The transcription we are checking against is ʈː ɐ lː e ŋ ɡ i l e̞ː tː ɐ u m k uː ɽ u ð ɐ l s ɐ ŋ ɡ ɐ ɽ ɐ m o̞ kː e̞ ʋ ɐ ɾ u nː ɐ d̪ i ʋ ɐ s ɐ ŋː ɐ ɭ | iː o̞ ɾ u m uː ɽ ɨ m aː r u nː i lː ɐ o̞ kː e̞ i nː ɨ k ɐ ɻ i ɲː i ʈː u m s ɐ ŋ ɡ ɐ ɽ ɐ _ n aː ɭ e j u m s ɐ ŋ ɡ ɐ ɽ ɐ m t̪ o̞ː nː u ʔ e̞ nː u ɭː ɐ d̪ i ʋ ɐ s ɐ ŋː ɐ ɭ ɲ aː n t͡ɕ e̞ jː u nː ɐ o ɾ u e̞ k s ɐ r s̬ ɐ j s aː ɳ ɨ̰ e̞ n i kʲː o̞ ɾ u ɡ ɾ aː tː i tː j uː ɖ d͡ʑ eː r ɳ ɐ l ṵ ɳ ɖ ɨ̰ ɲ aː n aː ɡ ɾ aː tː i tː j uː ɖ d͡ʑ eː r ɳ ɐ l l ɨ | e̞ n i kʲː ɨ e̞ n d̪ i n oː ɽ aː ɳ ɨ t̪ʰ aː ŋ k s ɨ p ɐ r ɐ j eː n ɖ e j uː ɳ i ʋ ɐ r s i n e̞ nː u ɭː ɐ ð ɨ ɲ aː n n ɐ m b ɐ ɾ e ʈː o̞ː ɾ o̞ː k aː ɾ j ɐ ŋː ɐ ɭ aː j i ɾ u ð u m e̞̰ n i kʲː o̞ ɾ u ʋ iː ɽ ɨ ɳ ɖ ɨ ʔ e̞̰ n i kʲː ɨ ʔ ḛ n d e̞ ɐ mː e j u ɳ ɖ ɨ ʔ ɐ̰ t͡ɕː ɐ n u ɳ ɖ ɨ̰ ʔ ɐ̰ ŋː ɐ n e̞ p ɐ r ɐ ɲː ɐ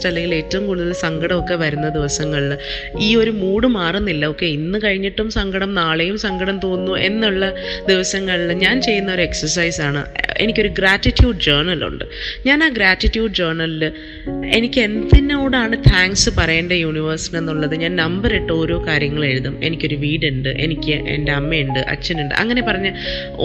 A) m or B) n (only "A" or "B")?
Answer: A